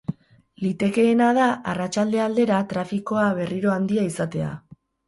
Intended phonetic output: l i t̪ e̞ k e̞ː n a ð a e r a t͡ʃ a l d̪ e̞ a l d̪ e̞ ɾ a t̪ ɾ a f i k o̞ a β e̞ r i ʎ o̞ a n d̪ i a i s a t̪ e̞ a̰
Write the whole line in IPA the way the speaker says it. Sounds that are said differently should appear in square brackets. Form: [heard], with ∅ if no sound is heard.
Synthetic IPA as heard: l i t̪ e̞ k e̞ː n a ð a [a] r a t͡ʃ a l d̪ e̞ a l d̪ e̞ ɾ a t̪ ɾ a f i k o̞ a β e̞ r i [ɾ] o̞ a n d̪ i a i s a t̪ e̞ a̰